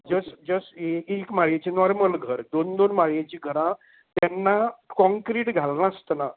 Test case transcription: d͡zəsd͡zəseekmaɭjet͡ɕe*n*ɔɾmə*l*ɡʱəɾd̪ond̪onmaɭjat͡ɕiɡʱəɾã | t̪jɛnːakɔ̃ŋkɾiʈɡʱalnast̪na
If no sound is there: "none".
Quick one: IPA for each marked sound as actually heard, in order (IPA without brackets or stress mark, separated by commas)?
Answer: n, l